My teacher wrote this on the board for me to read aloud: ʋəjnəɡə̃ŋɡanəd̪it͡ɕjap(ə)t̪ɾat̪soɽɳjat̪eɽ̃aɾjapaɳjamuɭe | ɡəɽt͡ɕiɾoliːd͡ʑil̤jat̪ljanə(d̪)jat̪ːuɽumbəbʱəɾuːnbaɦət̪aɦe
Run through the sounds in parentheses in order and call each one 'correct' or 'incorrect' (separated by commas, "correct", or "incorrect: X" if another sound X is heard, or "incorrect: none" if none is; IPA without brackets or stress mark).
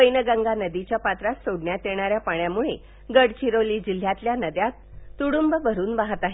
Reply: incorrect: a, correct